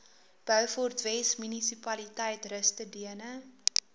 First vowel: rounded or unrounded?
rounded